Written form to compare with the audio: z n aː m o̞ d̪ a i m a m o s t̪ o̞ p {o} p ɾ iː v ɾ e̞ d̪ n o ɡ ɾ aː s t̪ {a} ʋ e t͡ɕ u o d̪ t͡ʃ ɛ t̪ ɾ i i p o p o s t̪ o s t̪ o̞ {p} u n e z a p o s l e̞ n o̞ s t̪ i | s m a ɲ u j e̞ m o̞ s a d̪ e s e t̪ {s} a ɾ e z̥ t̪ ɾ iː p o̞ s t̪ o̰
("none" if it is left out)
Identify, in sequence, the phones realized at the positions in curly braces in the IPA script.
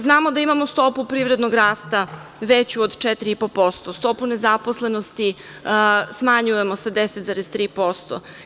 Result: u, a, p, z

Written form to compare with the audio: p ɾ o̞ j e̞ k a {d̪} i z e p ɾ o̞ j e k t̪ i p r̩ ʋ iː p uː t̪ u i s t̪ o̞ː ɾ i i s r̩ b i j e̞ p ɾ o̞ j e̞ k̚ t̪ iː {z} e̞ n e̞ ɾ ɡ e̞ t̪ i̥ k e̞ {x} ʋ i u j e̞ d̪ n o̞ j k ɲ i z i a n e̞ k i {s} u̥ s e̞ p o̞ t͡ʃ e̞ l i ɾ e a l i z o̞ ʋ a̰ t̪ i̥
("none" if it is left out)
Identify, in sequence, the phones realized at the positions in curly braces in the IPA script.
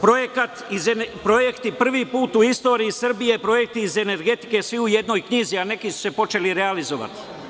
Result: t̪, z, s, s

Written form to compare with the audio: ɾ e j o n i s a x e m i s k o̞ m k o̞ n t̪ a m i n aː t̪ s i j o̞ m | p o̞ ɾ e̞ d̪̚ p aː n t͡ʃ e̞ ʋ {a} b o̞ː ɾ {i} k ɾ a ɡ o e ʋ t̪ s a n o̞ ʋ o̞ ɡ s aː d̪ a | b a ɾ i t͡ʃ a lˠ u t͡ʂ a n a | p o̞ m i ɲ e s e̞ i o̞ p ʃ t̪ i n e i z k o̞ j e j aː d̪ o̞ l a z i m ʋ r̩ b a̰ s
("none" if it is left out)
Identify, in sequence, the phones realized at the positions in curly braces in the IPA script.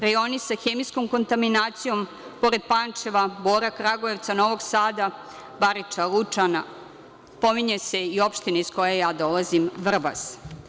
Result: a, a

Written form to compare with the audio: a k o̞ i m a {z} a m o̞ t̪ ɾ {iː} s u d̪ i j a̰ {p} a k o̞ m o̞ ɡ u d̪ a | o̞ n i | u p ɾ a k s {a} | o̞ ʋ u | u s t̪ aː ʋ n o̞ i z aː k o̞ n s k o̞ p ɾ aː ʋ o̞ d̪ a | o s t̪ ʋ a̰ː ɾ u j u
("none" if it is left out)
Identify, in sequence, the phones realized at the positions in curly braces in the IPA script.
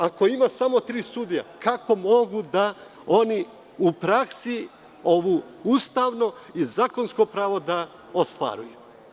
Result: s, iː, k, i

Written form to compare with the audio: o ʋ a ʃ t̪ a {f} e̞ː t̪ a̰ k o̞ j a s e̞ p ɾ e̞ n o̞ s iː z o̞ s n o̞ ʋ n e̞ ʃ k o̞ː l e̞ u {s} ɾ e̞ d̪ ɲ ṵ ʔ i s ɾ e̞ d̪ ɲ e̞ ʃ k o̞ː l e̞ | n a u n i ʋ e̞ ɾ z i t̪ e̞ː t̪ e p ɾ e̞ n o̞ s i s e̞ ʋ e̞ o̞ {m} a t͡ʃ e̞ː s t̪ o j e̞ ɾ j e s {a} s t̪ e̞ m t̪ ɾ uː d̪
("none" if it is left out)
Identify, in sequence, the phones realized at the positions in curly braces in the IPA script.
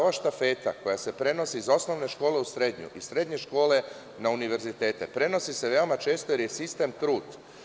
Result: f, s, m, i

